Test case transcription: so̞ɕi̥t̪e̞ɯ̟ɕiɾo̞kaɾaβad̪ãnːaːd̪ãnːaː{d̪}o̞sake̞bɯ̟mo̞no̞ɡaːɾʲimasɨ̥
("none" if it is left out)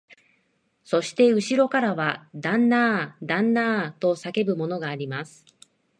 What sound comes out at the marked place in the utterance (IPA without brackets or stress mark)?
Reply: t̪